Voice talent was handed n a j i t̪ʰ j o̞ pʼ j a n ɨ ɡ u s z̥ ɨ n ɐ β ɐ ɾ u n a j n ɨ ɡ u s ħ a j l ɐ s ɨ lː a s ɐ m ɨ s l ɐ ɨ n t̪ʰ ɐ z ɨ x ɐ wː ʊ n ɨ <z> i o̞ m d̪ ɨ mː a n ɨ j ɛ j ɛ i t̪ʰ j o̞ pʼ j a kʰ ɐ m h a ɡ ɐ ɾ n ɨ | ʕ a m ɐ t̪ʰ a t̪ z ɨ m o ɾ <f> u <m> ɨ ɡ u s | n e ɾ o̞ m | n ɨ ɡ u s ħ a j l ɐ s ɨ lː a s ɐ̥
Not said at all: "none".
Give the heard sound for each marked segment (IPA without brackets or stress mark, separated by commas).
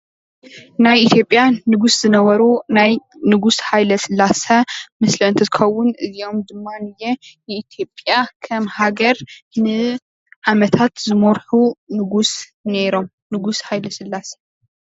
z, ħ, n